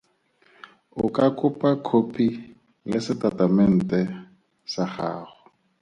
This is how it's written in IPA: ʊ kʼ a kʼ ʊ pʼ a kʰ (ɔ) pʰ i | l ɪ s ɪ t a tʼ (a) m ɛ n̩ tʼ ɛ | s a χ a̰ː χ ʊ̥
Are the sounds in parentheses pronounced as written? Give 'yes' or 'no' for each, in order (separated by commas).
no, yes